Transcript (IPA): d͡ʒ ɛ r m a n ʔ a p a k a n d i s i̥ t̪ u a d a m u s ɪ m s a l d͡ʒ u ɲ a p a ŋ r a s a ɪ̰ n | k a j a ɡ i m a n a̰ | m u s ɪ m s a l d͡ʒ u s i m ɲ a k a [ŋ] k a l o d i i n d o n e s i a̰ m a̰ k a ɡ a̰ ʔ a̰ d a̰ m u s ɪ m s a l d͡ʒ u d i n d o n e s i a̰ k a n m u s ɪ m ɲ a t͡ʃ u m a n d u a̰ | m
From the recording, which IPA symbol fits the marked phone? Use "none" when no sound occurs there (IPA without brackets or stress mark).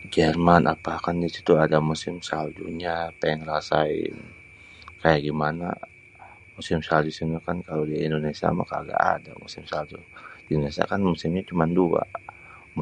n